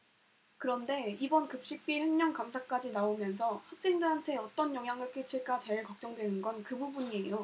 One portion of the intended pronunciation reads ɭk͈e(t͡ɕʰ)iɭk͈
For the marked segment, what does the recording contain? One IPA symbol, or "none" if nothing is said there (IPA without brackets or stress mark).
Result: t͡ɕʰ